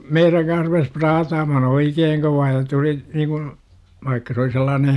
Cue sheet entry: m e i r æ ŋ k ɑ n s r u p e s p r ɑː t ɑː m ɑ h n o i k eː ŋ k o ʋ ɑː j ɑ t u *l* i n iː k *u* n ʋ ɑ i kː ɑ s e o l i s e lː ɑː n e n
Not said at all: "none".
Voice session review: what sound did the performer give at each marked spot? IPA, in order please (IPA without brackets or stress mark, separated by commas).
l, u